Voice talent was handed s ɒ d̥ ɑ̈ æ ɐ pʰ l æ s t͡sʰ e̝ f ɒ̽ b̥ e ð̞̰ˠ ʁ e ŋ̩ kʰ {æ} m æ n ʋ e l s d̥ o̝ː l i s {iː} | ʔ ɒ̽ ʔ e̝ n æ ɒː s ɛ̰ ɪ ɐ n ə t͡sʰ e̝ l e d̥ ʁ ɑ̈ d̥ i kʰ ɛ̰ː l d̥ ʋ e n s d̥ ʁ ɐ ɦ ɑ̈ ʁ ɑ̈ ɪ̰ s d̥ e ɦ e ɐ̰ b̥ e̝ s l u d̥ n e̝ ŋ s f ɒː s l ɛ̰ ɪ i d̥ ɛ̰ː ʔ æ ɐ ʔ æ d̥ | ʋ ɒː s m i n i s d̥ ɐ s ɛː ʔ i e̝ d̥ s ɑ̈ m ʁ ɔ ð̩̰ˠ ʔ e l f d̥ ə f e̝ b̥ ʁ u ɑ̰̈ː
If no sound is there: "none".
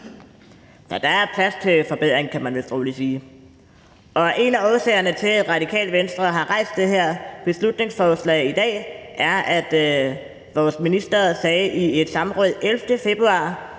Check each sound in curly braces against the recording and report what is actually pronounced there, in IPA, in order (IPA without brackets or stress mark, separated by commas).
æ, iː